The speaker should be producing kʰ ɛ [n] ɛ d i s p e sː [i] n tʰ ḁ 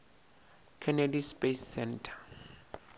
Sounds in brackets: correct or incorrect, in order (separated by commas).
correct, incorrect